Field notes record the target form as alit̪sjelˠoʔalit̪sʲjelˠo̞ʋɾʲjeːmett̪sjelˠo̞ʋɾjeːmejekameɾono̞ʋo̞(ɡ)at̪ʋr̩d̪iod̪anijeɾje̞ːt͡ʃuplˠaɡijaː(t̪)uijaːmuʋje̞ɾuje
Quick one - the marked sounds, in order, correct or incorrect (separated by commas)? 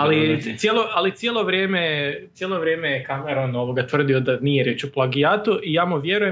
correct, correct